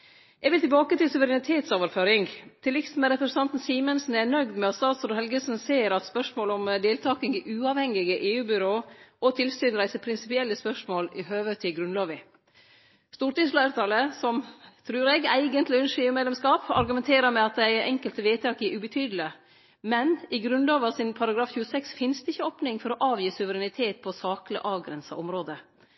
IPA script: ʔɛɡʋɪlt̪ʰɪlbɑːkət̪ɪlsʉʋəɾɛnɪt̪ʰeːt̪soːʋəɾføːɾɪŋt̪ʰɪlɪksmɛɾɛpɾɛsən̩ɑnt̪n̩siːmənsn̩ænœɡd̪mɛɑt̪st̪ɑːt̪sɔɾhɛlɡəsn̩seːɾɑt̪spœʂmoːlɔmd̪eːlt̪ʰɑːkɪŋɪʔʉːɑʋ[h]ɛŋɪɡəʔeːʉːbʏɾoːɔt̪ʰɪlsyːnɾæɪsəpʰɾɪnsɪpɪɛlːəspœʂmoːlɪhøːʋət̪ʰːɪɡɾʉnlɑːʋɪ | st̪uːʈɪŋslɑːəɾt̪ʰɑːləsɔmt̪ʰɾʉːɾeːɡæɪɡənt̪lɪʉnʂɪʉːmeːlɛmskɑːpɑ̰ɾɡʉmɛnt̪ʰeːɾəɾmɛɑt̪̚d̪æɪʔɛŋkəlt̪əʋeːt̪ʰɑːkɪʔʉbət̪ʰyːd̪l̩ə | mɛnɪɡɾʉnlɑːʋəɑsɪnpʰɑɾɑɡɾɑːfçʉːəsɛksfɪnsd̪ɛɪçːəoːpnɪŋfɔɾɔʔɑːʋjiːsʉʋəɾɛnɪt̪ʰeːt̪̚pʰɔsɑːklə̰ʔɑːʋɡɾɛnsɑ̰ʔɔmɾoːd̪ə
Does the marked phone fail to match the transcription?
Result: no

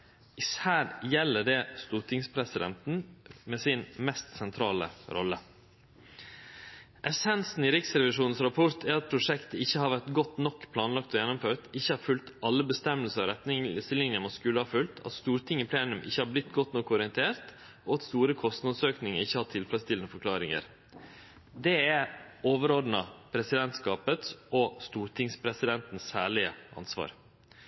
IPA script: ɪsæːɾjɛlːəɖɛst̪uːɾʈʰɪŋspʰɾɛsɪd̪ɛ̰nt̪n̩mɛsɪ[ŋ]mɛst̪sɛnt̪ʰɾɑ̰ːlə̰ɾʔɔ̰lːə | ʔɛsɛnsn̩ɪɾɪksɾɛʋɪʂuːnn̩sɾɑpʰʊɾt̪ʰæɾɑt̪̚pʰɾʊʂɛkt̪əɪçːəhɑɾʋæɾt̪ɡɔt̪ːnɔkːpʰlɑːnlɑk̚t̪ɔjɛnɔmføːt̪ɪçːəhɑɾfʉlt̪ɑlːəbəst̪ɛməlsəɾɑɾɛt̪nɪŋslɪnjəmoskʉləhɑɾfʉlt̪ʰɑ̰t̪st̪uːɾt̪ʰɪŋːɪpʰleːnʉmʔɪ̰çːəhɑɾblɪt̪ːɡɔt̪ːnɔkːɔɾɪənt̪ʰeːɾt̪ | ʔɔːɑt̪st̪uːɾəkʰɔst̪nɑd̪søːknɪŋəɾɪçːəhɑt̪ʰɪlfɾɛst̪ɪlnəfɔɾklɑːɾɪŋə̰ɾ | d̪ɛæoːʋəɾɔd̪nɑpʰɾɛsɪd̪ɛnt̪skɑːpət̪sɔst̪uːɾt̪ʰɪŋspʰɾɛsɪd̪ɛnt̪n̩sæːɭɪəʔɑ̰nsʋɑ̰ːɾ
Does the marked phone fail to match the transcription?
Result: yes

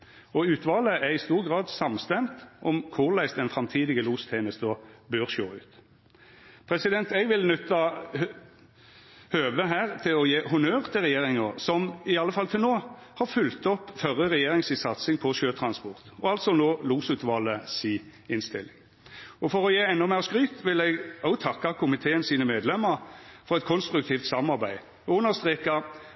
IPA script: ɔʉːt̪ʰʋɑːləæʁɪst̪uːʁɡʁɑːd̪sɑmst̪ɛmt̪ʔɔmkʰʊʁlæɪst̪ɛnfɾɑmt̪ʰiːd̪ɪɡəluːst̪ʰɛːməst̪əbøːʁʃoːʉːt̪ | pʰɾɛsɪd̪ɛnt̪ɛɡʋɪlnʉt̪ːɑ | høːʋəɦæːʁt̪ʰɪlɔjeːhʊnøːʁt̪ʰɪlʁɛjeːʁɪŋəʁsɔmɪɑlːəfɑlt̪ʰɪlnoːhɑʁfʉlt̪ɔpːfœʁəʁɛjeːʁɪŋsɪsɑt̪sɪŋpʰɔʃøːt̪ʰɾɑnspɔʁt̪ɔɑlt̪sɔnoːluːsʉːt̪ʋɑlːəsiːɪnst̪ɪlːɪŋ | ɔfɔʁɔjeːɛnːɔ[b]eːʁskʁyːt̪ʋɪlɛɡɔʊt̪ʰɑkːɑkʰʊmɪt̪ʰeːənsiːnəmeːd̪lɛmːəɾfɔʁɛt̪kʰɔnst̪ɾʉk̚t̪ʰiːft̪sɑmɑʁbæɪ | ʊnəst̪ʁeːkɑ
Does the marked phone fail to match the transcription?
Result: yes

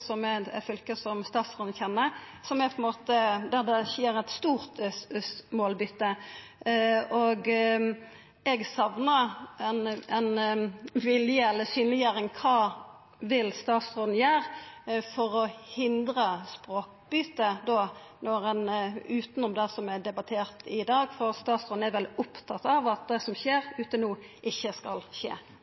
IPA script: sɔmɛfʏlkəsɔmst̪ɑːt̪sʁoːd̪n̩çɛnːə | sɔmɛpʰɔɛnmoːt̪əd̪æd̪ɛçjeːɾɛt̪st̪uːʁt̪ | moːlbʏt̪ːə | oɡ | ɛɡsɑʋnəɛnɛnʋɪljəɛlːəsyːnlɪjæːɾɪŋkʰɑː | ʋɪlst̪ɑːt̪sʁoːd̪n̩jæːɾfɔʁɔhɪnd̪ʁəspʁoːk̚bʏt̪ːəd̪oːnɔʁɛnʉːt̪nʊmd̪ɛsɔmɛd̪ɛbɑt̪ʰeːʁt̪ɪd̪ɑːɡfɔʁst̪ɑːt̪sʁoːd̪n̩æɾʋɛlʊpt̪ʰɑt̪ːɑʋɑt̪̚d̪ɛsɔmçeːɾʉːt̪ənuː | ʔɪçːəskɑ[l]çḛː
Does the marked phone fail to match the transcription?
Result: no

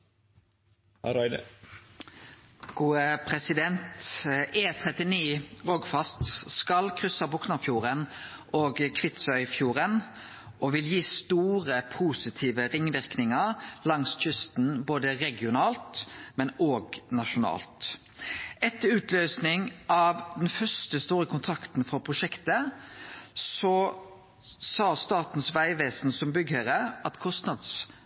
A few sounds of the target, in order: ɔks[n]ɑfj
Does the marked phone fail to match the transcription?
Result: no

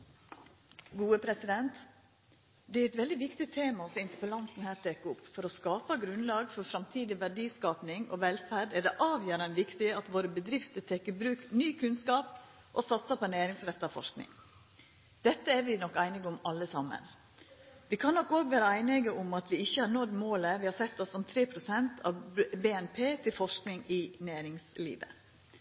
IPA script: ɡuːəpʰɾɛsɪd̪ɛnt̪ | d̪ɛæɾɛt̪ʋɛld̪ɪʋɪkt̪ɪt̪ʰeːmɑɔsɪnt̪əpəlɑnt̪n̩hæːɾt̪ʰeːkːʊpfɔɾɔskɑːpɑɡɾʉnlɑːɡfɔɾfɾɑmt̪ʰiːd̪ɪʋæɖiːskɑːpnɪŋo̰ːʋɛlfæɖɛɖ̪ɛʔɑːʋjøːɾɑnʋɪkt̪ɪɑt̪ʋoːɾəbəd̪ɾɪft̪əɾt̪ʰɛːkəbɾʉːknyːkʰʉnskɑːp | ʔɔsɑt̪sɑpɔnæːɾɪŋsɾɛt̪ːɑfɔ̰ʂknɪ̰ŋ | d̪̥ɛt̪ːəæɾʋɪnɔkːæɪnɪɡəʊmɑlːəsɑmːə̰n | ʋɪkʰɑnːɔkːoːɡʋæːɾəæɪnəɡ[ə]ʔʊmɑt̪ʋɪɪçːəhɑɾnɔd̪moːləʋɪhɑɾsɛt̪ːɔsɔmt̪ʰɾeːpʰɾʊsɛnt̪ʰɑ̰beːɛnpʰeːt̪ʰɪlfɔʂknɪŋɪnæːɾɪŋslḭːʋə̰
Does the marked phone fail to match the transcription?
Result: no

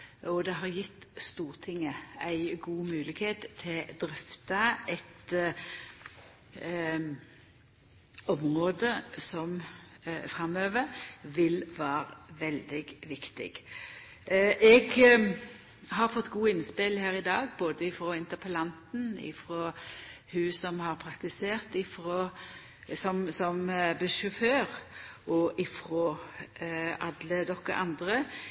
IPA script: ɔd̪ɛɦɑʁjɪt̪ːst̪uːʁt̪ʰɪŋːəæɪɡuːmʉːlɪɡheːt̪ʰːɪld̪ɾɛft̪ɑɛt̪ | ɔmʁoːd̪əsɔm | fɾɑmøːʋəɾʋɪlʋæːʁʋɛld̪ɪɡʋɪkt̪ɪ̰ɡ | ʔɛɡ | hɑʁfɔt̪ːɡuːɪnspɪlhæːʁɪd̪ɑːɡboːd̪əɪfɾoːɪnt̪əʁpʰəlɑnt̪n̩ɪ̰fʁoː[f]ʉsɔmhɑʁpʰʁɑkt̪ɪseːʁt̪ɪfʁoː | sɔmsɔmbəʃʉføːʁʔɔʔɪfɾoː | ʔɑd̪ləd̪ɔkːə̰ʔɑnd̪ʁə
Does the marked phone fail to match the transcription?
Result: yes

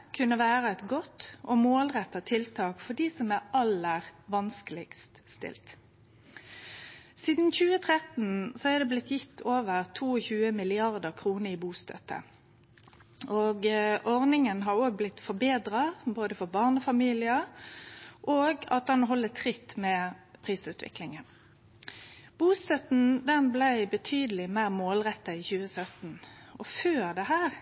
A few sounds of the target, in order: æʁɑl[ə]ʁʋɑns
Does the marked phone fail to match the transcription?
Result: no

